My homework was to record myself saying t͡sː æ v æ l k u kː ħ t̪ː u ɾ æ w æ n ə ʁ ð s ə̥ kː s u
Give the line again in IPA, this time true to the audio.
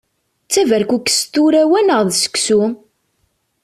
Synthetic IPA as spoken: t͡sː æ v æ ɾ k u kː s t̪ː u ɾ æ w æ n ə ʁ ð s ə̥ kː s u